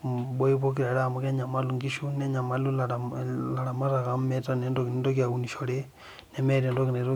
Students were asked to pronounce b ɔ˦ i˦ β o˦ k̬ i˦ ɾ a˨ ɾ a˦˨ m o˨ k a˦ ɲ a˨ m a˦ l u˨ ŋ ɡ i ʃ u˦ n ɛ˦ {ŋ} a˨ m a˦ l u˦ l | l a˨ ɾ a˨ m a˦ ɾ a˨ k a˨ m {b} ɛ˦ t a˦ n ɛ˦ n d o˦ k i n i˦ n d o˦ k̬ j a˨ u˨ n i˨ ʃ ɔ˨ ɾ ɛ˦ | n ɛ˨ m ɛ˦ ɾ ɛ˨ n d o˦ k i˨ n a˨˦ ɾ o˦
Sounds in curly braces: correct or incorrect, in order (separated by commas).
incorrect, incorrect